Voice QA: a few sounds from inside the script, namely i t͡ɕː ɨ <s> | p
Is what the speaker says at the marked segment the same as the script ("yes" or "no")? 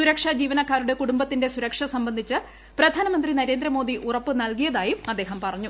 no